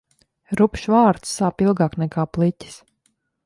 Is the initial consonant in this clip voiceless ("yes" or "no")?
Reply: no